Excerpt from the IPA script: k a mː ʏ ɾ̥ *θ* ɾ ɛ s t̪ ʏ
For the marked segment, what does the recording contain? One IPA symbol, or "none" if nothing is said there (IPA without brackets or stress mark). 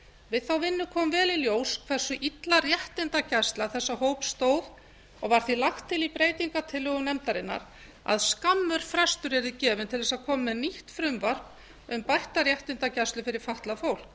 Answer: f